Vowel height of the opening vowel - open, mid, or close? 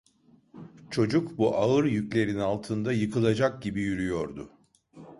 mid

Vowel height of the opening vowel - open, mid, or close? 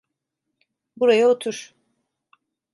close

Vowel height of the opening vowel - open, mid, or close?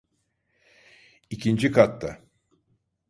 close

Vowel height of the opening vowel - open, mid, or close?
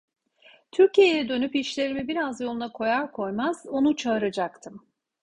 close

